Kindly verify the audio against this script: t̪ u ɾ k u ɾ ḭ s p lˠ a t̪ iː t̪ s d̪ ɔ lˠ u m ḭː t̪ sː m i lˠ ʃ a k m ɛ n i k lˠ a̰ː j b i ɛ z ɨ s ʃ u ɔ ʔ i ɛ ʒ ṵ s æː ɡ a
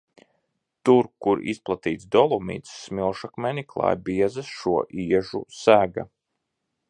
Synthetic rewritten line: t̪ u ɾ k u ɾ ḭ s p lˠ a t̪ iː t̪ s d̪ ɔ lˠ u m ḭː t̪ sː m i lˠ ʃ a k m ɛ n i k lˠ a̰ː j b i ɛ z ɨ s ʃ u ɔ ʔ i ɛ ʒ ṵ s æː ɡ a